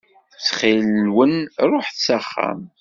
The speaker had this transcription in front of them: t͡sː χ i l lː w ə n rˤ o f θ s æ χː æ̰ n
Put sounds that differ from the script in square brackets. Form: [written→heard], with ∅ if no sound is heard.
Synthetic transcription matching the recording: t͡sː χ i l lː w ə n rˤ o [f→ħ] θ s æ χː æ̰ [n→m]